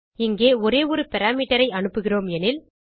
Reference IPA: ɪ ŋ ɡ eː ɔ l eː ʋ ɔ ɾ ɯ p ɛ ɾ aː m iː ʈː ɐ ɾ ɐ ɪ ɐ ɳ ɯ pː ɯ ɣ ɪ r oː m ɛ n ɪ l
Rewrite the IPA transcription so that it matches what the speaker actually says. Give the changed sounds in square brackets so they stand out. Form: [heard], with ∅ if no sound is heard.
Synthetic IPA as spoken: ɪ ŋ ɡ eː ɔ [ɾ] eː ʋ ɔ ɾ ɯ p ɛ ɾ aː m iː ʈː ɐ ɾ ɐ ɪ ɐ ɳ ɯ pː ɯ ɣ ɪ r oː m ɛ n ɪ l